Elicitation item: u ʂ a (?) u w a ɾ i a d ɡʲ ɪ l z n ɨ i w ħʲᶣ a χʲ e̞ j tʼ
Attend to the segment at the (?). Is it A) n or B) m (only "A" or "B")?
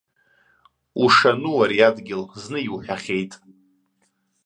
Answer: A